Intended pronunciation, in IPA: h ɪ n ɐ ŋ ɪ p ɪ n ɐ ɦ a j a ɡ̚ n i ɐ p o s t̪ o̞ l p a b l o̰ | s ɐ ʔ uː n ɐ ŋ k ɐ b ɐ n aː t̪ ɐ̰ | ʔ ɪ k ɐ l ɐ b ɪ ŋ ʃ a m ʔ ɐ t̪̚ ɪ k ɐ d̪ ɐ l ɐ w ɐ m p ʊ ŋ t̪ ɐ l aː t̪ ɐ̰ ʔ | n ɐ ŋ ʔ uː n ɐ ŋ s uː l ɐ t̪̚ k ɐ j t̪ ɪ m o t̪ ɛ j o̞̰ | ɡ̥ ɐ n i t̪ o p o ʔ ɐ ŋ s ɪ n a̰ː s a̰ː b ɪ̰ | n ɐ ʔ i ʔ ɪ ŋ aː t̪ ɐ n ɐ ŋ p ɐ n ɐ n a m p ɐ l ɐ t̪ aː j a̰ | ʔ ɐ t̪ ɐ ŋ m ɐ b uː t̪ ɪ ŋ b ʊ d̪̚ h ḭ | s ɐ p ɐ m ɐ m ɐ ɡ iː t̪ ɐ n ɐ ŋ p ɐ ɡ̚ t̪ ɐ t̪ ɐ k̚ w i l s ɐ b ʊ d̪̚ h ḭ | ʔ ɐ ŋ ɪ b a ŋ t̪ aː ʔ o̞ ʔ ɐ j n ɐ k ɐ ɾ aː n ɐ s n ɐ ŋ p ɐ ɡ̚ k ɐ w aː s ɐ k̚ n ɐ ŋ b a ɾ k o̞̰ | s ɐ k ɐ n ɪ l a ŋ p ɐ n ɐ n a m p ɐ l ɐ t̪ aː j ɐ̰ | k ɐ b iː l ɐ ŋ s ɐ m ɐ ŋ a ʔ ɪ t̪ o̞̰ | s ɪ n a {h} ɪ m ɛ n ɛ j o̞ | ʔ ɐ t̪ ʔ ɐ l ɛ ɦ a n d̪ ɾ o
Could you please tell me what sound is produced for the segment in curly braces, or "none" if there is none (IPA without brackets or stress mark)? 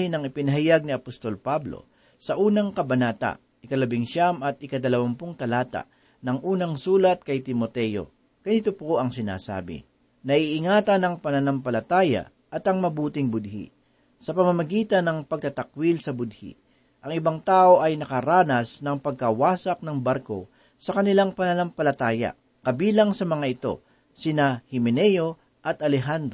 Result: h